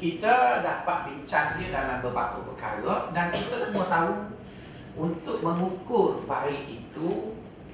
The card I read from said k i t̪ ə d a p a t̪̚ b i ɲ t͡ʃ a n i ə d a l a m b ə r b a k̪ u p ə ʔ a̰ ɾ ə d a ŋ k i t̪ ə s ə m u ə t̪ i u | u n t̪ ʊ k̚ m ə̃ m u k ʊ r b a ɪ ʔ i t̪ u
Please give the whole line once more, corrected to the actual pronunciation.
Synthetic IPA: k i t̪ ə d a p a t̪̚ b i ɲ t͡ʃ a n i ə d a l a m b ə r b a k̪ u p ə k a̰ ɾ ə d a n k i t̪ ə s ə m u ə t̪ a u | u n t̪ ʊ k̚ m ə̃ ŋ u k ʊ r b a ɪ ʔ i t̪ u